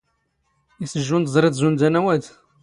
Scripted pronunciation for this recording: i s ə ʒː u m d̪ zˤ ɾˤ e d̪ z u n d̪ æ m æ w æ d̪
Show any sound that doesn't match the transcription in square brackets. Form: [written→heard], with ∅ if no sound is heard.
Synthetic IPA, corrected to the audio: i s ə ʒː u [m→n] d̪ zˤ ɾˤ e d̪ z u n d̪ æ [m→n] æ w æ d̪

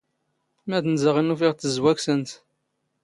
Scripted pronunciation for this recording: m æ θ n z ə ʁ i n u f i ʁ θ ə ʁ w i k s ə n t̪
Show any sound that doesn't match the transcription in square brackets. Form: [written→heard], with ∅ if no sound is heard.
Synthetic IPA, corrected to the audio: m æ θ n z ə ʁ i n u f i ʁ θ ə [ʁ→z] w [i→æ] k s ə n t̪

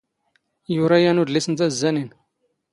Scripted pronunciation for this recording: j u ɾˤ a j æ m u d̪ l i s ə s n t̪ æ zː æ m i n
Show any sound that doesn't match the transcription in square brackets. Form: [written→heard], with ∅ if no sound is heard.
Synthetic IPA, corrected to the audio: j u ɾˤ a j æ [m→n] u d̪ l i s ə [s→∅] n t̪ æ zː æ [m→n] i n

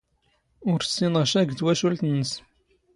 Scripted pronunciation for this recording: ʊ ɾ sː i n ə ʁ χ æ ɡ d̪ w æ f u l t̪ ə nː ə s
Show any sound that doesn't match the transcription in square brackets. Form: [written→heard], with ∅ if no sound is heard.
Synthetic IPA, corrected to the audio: ʊ ɾ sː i n ə ʁ [χ→ʃ] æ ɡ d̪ w æ [f→ʃ] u l t̪ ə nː ə s

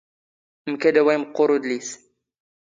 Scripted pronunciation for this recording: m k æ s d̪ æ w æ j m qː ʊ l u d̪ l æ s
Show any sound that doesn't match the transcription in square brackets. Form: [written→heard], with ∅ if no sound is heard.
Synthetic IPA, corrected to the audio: m k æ [s→∅] d̪ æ w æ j m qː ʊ [l→ɾ] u d̪ l [æ→i] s

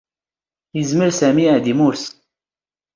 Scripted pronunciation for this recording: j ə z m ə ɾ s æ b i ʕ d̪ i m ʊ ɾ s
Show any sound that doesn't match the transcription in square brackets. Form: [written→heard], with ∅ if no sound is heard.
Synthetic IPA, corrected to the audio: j ə z m ə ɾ s æ [b→m] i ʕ d̪ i m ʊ ɾ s

